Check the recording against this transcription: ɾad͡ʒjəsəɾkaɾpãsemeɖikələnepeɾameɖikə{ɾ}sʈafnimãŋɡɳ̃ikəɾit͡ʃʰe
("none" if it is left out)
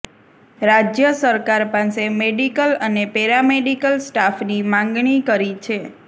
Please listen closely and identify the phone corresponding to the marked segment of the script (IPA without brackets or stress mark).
l